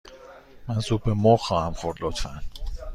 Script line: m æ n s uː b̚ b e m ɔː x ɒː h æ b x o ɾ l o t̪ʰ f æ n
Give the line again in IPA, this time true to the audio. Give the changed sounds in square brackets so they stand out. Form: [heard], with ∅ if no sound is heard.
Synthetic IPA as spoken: m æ n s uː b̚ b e m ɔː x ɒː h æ [m] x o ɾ l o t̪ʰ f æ n